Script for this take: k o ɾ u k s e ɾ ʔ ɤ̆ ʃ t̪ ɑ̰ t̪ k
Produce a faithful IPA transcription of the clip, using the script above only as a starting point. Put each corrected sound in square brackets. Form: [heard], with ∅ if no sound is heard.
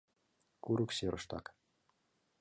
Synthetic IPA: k [u] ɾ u k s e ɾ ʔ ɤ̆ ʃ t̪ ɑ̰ [∅] k